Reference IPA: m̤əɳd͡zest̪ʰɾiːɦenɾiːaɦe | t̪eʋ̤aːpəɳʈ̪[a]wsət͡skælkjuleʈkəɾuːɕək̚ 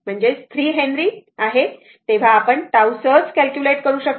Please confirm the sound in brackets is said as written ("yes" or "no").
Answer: yes